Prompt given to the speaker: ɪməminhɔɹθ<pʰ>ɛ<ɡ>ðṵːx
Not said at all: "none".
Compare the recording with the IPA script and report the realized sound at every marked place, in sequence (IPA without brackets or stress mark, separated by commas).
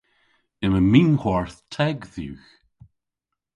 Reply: tʰ, ɡ